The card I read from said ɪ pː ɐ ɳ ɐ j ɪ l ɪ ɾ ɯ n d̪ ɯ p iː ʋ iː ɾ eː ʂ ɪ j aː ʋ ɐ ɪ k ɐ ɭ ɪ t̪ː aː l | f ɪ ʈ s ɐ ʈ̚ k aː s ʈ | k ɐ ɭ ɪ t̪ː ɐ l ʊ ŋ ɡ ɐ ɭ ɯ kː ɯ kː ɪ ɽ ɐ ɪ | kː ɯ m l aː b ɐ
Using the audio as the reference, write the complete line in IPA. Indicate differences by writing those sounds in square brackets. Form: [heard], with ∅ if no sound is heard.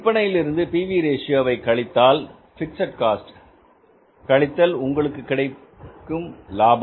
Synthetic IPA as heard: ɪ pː ɐ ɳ ɐ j ɪ l ɪ ɾ ɯ n d̪ ɯ p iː ʋ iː ɾ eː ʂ ɪ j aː ʋ ɐ ɪ k ɐ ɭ ɪ t̪ː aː l | f ɪ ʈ s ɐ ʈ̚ k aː s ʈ | k ɐ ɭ ɪ t̪ː ɐ l ʊ ŋ ɡ ɐ ɭ ɯ kː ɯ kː ɪ ɽ ɐ ɪ | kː ɯ m l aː b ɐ

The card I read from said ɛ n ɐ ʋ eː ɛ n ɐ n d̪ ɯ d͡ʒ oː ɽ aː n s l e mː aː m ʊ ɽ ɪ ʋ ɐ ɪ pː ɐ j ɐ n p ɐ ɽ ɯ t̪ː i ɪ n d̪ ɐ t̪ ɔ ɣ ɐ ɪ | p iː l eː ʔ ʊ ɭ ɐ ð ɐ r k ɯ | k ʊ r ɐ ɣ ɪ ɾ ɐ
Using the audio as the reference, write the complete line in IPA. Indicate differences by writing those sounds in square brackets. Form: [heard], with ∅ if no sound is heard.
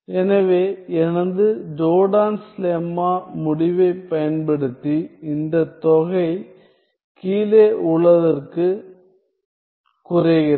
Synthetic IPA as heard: ɛ n ɐ ʋ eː ɛ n ɐ n d̪ ɯ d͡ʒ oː ɽ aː n s l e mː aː m ʊ ɽ ɪ ʋ ɐ ɪ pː ɐ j ɐ n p ɐ ɽ ɯ t̪ː i ɪ n d̪ ɐ t̪ ɔ ɣ ɐ ɪ | [k] iː l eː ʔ ʊ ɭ ɐ ð ɐ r k ɯ | k ʊ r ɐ ɣ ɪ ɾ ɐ

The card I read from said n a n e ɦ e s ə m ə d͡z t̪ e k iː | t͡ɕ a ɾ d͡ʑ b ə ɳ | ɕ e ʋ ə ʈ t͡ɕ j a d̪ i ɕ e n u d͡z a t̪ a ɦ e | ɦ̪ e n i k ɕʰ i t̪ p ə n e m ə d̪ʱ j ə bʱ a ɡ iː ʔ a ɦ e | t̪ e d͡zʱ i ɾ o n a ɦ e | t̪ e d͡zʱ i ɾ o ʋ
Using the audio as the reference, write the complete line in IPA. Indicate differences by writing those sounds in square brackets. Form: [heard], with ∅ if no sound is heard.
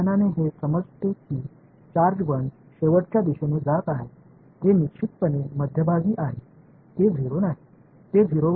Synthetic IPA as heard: n a n e ɦ e s ə m ə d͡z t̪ e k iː | t͡ɕ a ɾ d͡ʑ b ə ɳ | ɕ e ʋ ə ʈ t͡ɕ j a d̪ i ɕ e n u d͡z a t̪ a ɦ e | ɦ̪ e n i k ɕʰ i t̪ p ə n e m ə d̪ʱ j ə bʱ a ɡ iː ʔ a ɦ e | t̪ e d͡zʱ i ɾ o n a ɦ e | t̪ e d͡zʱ i ɾ o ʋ

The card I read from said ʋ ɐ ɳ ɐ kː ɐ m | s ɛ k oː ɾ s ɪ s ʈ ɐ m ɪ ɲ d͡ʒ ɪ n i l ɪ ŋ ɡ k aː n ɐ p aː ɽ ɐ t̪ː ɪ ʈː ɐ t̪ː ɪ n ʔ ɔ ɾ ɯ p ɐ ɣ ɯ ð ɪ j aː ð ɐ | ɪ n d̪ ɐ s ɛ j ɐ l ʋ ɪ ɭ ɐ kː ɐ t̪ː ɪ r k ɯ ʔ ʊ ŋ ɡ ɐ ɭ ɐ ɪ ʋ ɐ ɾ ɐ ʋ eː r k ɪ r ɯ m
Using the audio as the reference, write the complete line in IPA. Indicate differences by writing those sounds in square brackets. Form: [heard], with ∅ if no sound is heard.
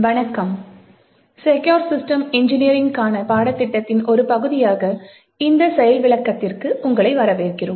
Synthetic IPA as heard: ʋ ɐ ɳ ɐ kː ɐ m | s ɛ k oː ɾ s ɪ s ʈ ɐ m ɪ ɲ d͡ʒ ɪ n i [ɾ] ɪ ŋ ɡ k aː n ɐ p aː ɽ ɐ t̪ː ɪ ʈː ɐ t̪ː ɪ n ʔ ɔ ɾ ɯ p ɐ ɣ ɯ ð ɪ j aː [ɣ] ɐ | ɪ n d̪ ɐ s ɛ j ɐ l ʋ ɪ ɭ ɐ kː ɐ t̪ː ɪ r k ɯ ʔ ʊ ŋ ɡ ɐ ɭ ɐ ɪ ʋ ɐ ɾ ɐ ʋ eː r k ɪ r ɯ m

